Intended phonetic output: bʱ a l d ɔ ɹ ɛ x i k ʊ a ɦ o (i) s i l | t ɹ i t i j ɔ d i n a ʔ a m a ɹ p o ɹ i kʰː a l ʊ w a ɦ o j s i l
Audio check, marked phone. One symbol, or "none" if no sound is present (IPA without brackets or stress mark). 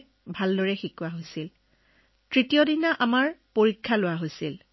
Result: j